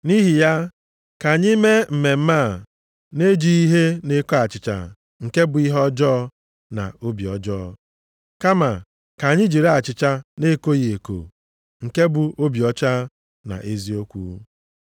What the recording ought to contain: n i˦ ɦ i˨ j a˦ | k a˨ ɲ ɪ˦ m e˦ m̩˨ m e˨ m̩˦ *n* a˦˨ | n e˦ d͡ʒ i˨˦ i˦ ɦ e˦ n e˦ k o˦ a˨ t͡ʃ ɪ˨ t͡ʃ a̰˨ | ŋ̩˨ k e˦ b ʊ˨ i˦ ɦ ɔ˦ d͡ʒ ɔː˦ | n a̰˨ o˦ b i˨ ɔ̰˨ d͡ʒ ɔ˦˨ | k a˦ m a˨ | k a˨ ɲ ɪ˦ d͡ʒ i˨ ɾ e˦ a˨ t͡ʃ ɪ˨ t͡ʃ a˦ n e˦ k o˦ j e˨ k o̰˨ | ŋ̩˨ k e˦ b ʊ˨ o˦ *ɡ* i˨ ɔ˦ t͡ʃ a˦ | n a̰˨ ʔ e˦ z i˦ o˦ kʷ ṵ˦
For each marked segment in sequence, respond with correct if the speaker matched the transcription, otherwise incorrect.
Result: incorrect, incorrect

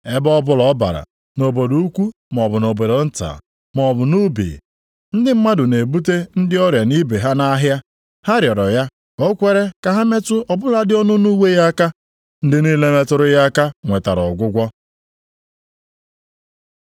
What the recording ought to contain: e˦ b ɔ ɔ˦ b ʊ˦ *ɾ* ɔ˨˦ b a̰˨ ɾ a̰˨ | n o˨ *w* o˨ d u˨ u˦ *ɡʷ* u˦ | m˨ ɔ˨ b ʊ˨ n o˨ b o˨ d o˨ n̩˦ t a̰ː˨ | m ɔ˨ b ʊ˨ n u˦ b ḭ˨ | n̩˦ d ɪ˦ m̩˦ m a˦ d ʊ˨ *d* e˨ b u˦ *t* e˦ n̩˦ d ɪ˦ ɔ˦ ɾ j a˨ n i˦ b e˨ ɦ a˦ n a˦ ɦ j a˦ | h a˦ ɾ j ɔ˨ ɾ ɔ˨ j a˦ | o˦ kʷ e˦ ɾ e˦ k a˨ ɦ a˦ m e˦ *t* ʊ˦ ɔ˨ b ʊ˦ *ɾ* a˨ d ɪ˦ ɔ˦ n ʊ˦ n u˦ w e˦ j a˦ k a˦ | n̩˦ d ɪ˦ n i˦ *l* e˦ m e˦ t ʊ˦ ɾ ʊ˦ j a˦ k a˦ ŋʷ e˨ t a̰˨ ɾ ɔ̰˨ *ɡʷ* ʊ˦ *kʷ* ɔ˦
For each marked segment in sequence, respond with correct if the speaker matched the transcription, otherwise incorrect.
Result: incorrect, incorrect, incorrect, incorrect, correct, correct, incorrect, correct, correct, incorrect

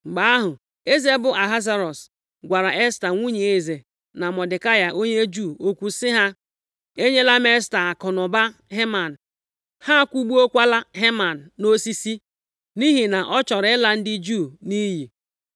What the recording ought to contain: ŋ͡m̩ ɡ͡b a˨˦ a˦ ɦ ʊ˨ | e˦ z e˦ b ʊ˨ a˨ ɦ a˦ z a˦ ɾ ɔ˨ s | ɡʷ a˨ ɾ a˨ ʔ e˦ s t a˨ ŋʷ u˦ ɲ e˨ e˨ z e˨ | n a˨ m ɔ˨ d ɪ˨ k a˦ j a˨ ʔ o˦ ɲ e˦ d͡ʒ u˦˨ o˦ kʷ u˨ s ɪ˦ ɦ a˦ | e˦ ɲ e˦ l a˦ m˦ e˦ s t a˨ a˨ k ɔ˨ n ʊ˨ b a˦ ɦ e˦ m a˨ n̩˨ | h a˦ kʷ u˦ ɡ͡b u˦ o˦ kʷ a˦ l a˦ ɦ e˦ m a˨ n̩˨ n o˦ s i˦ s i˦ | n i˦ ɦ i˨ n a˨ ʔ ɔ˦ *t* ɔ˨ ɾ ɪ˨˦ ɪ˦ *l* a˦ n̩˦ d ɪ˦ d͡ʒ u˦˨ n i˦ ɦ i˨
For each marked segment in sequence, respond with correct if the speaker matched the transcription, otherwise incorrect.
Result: incorrect, correct

